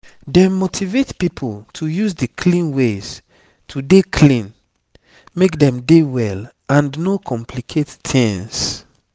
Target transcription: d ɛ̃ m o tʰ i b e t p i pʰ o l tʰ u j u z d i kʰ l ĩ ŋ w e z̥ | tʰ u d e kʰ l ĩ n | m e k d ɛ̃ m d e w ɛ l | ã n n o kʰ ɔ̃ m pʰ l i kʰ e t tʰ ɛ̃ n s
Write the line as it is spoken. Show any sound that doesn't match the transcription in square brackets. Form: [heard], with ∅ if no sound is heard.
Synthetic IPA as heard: d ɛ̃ m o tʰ i [v] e t p i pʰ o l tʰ u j u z d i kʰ l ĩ [n] w e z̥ | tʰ u d e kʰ l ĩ n | m e k d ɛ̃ m d e w ɛ l | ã n n o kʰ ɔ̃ m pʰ l i kʰ e t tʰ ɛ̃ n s